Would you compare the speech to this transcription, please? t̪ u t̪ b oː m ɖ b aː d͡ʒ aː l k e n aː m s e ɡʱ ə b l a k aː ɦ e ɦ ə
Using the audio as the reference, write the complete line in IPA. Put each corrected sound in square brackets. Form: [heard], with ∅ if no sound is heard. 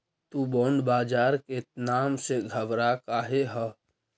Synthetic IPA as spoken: t̪ u [∅] b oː [ɳ] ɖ b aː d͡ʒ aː [ɾ] k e n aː m s e ɡʱ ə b [ɾ] a k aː ɦ e ɦ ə